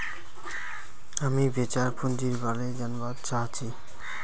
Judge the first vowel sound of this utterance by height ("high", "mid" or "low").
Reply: low